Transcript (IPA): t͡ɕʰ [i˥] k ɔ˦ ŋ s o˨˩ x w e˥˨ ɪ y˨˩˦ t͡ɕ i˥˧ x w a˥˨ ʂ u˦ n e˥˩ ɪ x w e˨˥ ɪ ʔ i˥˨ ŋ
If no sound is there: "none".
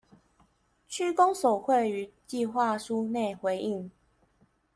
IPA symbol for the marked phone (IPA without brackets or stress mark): y˥